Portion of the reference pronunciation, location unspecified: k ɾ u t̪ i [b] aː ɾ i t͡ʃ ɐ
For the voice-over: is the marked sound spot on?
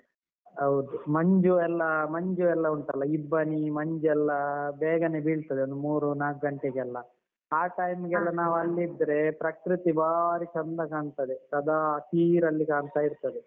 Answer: yes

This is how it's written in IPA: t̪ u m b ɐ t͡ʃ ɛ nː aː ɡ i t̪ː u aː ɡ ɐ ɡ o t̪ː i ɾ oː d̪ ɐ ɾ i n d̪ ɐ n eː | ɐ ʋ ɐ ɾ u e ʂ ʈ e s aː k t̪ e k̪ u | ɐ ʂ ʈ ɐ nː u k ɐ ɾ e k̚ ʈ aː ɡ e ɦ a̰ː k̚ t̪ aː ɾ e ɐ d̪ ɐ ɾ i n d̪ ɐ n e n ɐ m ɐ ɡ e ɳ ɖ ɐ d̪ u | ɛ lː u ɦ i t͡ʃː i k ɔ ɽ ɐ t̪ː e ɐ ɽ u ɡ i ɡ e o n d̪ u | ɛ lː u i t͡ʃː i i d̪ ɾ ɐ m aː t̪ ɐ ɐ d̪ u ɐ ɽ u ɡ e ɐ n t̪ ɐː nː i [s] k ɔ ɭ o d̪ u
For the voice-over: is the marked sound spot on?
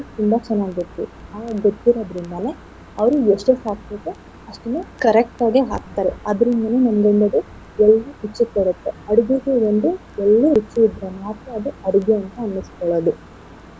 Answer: yes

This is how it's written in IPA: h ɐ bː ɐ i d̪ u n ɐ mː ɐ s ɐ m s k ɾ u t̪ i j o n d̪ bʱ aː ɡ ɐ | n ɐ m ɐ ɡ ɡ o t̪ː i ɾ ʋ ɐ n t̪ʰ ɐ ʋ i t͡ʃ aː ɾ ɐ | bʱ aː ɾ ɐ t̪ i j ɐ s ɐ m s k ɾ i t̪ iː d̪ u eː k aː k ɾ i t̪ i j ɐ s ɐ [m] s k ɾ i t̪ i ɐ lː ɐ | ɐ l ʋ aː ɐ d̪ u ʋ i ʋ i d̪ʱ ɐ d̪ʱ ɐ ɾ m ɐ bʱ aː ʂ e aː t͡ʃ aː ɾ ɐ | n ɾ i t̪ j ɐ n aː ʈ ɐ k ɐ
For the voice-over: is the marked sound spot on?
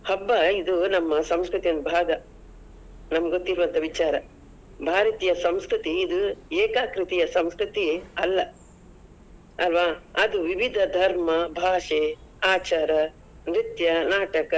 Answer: yes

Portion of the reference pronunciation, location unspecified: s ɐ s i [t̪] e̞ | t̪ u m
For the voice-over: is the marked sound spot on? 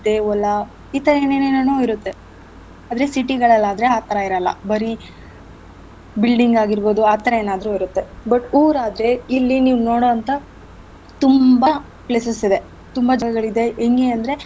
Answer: no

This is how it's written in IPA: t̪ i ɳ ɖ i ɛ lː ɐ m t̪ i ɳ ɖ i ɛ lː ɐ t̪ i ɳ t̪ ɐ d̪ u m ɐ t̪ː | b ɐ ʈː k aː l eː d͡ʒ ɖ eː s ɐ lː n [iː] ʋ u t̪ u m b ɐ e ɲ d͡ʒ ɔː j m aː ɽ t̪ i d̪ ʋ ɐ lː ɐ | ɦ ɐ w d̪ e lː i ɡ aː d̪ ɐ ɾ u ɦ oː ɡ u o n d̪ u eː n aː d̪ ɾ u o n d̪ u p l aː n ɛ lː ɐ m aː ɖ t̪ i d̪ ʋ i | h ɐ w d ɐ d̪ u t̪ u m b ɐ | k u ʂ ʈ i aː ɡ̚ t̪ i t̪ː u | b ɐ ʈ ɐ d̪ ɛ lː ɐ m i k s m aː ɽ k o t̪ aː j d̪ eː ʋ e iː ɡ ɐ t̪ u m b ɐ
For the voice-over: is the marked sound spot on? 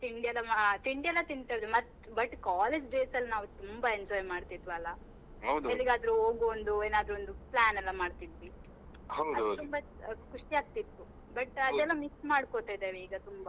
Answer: no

